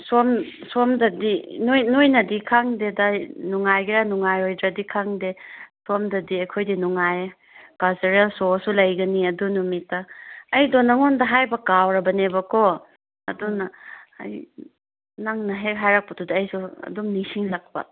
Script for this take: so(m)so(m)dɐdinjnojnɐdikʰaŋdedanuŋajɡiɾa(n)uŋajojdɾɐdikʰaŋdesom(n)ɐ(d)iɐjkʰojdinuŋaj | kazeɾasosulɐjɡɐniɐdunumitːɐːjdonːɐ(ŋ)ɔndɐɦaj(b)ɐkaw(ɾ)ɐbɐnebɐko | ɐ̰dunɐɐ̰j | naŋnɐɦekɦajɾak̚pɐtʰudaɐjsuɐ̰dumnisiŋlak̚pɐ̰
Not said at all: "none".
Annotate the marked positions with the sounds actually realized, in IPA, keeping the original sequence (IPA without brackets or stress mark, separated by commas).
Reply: m, m, n, d, d, ŋ, b, ɾ